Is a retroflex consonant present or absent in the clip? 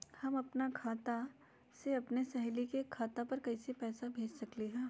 absent